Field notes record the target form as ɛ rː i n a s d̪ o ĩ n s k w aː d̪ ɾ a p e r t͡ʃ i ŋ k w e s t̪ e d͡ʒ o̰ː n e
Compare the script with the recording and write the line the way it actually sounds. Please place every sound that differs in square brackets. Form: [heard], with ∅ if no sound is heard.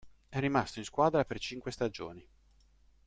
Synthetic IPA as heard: ɛ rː i [m] a s [t̪] o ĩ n s k w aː d̪ ɾ a p e r t͡ʃ i ŋ k w e s t̪ [a] d͡ʒ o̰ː n [i]